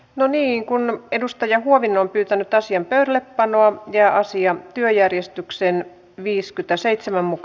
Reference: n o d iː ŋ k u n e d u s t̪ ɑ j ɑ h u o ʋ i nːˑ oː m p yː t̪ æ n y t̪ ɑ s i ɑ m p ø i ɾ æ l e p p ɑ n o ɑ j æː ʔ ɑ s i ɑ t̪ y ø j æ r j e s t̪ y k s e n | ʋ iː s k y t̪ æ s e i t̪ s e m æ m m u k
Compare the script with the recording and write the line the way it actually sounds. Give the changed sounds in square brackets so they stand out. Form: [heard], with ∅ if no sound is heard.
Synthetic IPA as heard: n o [n] iː ŋ k u n e d u s t̪ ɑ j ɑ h u o ʋ i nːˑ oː m p yː t̪ æ n y t̪ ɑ s i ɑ m p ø [y] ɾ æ l e p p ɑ n o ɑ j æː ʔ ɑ s i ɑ t̪ y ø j æ r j e s t̪ y k s e n | ʋ iː s k y t̪ æ s e i t̪ s e m æ m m u k